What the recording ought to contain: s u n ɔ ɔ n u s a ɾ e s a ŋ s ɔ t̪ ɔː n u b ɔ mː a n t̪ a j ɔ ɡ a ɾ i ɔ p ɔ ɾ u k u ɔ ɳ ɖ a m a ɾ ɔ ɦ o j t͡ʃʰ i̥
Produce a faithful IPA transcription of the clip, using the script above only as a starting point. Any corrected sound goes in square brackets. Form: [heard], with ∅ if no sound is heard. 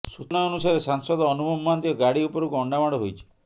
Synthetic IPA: s u n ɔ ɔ n u s a ɾ e s a ŋ s ɔ [d̪] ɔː n u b ɔ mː a n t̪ [i] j ɔ ɡ a [ɽ] i [u] p ɔ ɾ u k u ɔ ɳ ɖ a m a [ɽ] ɔ ɦ o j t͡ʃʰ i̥